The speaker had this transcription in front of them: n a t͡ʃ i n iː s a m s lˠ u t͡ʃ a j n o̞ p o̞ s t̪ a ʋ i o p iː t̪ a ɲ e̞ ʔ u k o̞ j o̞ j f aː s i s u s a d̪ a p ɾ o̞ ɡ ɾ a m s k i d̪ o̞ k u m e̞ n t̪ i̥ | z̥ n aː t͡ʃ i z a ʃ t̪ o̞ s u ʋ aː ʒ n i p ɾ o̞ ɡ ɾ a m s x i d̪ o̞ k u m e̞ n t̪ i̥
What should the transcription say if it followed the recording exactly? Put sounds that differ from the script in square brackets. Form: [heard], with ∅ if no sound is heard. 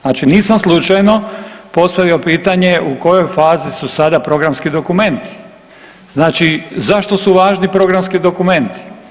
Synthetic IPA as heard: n a t͡ʃ i n iː s a m s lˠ u t͡ʃ a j n o̞ p o̞ s t̪ a ʋ i o p iː t̪ a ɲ e̞ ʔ u k o̞ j o̞ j f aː [z] i s u s a d̪ a p ɾ o̞ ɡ ɾ a m s k i d̪ o̞ k u m e̞ n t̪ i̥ | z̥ n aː t͡ʃ i z a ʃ t̪ o̞ s u ʋ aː ʒ n i p ɾ o̞ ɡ ɾ a m s [k] i d̪ o̞ k u m e̞ n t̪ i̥